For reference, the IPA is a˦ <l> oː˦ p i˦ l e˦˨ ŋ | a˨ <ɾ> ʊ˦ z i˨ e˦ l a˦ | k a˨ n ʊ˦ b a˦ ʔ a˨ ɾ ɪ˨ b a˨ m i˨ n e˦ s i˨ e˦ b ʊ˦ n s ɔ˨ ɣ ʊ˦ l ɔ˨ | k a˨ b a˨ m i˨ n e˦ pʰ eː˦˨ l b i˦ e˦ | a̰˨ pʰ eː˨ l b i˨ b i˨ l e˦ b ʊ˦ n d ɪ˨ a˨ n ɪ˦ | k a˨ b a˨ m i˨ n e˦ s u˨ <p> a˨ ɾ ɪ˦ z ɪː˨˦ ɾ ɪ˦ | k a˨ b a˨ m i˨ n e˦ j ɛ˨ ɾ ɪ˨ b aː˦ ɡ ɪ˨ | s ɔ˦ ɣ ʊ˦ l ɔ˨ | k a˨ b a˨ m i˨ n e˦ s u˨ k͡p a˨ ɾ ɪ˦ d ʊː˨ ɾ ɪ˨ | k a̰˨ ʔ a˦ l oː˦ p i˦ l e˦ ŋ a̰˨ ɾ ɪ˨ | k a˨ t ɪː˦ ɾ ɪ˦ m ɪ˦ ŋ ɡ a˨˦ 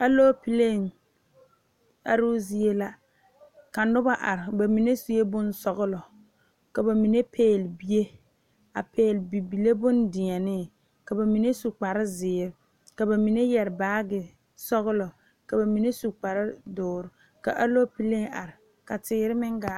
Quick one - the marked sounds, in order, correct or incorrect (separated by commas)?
correct, correct, incorrect